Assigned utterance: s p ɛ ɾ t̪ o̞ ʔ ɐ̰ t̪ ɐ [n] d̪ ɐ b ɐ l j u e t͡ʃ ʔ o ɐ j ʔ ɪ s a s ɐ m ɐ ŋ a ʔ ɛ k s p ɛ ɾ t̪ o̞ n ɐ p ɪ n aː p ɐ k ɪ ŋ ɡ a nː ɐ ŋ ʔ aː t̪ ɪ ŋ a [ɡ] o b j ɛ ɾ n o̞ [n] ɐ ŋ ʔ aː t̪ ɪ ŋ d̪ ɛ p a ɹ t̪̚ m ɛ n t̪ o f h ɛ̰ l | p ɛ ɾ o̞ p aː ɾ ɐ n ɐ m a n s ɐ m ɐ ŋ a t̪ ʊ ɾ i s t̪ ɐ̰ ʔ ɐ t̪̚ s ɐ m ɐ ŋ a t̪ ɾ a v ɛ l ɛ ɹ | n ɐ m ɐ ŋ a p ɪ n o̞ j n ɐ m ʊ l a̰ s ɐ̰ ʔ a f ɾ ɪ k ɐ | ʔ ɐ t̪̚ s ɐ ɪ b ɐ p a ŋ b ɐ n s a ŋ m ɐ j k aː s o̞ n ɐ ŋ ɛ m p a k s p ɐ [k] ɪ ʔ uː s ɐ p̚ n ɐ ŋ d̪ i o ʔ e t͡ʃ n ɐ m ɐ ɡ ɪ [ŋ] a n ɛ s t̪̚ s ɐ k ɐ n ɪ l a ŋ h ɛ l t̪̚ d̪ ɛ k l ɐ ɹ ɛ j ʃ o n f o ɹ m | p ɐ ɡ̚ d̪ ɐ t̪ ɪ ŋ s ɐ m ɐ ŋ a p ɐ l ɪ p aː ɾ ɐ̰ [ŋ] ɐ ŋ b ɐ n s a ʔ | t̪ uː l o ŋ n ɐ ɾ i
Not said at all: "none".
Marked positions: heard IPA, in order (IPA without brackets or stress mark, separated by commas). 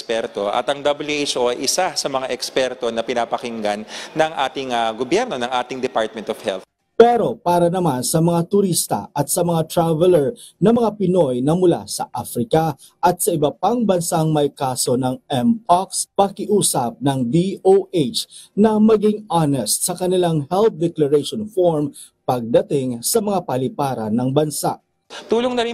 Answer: ŋ, ɡ, n, k, ŋ, n